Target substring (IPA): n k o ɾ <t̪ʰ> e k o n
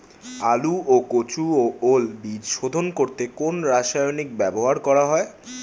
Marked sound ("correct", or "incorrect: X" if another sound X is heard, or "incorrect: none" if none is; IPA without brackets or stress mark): incorrect: t̪